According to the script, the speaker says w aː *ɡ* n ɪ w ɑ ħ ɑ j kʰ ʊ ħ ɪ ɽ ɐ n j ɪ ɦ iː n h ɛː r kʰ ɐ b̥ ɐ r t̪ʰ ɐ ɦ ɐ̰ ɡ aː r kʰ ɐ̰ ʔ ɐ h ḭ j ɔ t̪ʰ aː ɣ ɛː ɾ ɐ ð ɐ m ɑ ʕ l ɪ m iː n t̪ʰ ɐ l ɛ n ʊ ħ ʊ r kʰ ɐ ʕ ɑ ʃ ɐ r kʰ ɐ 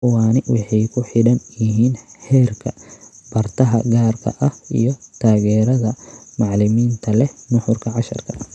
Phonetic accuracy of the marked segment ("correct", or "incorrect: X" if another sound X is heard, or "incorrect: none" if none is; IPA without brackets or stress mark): incorrect: none